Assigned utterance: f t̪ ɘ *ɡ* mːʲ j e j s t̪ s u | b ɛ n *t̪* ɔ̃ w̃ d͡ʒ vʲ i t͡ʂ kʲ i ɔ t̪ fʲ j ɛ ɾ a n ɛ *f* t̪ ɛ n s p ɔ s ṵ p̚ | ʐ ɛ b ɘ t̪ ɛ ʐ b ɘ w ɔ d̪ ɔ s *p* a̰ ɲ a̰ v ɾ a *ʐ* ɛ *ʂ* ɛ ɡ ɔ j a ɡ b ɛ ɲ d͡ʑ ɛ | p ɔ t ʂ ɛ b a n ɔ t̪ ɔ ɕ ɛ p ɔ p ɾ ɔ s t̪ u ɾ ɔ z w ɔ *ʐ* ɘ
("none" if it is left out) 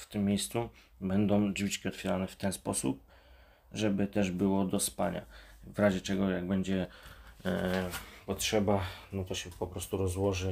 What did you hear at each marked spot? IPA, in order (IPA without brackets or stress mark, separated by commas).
none, d̪, f, p, ʑ, t͡ʂ, ʐ